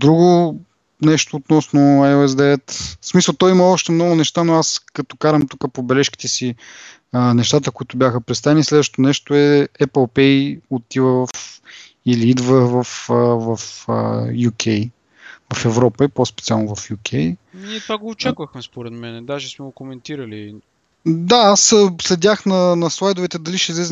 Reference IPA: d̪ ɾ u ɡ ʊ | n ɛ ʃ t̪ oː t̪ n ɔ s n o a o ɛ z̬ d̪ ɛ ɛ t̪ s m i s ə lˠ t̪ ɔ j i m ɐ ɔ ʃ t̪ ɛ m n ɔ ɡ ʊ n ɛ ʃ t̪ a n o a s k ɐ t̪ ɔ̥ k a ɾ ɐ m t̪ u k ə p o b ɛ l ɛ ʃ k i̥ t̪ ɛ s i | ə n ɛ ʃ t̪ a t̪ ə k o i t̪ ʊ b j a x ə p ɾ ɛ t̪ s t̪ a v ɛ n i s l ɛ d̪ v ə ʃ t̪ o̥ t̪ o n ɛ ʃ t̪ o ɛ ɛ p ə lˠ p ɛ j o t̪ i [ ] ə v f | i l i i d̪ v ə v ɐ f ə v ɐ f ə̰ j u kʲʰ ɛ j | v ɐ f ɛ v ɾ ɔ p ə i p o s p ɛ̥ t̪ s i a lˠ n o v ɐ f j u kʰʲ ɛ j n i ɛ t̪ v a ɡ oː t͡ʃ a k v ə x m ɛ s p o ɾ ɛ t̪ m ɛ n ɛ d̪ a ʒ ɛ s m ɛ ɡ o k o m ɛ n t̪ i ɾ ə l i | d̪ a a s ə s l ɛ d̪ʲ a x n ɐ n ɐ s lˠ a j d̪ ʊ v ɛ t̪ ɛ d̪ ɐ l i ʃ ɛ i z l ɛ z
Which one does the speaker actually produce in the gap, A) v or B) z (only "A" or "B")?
A